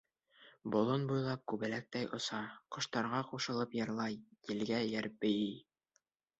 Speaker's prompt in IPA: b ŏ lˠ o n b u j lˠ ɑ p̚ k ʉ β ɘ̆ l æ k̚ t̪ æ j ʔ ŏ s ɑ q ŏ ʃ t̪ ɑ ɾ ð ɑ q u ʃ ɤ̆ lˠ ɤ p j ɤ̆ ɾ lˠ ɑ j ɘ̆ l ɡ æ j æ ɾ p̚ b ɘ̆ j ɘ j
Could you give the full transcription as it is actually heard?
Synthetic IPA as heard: b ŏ lˠ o n b u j lˠ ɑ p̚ k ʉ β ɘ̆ l æ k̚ t̪ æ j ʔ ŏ s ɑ q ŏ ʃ t̪ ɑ ɾ ʁ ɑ q u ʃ ɤ̆ lˠ ɤ p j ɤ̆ ɾ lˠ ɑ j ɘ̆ l ɡ æ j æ ɾ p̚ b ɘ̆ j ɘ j